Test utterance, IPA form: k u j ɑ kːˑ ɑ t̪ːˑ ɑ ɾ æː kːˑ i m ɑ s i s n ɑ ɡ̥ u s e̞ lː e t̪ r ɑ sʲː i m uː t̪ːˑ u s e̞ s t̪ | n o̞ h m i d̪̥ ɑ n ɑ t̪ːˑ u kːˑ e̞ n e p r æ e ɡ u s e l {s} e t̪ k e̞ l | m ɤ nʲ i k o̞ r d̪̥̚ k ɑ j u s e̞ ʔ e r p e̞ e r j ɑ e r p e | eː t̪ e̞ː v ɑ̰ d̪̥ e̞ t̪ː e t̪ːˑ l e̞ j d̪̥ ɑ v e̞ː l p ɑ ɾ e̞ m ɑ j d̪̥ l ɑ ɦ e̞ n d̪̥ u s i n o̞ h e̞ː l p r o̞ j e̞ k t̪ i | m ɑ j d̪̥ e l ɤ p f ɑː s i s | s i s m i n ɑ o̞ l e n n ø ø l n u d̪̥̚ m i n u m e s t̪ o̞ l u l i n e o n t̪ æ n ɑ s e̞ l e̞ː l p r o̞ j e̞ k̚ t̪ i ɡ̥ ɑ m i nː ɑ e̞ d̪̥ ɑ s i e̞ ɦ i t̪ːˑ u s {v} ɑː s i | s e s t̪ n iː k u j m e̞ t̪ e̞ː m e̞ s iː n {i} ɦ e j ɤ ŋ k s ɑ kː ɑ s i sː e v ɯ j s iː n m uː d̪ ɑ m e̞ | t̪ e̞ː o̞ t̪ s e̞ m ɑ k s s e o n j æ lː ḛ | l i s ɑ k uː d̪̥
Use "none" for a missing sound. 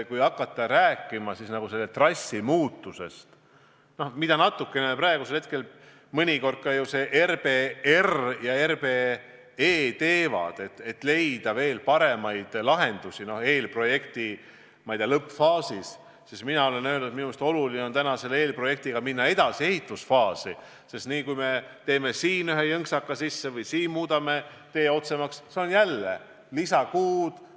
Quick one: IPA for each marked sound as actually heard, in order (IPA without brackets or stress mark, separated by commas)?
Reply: h, f, y